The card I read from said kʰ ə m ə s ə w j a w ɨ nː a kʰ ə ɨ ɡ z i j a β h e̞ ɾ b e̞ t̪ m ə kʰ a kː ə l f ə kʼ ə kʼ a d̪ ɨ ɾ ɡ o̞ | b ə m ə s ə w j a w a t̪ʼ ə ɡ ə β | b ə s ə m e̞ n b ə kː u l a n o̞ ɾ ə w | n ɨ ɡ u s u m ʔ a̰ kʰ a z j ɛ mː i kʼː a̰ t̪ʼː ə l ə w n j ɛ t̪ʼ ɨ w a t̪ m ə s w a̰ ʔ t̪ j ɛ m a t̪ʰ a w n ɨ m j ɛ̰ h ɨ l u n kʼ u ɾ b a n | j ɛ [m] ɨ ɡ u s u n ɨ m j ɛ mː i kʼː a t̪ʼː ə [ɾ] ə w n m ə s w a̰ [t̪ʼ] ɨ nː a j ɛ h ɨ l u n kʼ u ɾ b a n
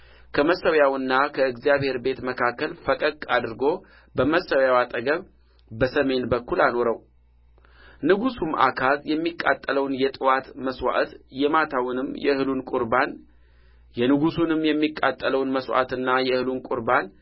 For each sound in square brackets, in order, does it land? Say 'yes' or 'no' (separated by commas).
no, no, no